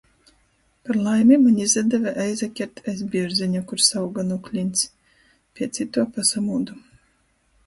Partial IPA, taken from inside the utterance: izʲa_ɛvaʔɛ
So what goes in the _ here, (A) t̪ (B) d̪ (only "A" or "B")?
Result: B